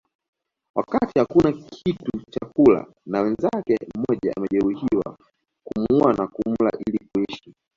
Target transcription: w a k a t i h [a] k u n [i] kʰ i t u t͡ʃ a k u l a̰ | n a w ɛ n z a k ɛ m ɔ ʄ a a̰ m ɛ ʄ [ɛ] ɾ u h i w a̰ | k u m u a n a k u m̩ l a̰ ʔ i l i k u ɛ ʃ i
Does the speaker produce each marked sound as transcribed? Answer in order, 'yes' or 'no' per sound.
yes, no, yes

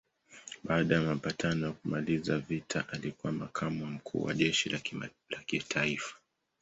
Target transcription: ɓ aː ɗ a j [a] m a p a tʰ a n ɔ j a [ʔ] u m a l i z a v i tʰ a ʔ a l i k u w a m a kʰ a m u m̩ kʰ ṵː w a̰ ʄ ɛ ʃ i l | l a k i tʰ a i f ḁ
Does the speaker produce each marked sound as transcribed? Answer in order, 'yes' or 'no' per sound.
yes, no

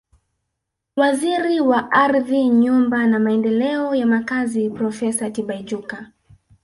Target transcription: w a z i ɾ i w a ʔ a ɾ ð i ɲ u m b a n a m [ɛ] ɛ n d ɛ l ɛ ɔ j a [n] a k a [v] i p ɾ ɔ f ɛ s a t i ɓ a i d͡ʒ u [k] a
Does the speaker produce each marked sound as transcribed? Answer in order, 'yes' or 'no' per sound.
no, no, no, yes

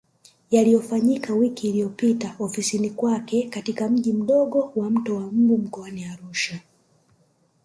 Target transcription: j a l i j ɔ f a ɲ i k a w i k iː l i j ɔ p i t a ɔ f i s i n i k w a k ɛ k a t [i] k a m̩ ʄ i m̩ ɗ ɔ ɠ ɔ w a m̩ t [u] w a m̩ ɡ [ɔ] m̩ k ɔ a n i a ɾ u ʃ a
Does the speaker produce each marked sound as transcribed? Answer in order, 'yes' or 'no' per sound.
yes, no, no

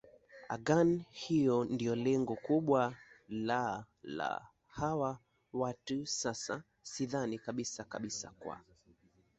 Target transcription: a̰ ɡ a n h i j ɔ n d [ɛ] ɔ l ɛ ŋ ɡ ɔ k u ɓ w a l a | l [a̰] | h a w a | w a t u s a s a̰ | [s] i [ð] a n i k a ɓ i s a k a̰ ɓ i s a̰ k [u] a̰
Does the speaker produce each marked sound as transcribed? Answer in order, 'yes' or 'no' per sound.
no, yes, yes, yes, no

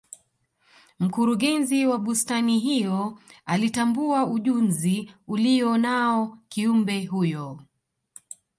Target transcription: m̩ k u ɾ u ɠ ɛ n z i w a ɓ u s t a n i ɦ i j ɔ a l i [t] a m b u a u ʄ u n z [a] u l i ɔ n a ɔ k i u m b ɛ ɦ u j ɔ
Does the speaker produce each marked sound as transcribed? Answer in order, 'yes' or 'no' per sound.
yes, no

